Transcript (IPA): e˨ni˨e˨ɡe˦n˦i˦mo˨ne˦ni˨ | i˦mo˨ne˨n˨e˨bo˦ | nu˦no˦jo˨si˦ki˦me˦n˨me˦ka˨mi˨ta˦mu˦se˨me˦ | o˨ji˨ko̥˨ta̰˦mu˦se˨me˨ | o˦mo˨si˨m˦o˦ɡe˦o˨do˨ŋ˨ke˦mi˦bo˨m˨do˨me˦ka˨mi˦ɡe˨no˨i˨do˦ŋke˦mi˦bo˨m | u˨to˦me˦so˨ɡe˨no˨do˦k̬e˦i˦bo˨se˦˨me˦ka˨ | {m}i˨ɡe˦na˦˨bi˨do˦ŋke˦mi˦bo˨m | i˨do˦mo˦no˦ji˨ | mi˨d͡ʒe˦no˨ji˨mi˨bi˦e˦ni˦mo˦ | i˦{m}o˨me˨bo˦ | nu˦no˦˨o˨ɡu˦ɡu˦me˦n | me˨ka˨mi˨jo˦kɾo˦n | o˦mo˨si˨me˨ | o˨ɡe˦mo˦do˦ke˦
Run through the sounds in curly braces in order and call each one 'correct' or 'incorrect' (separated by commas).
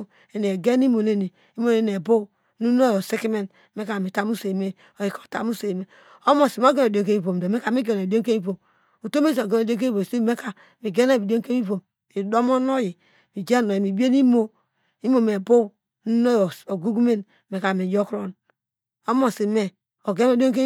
correct, correct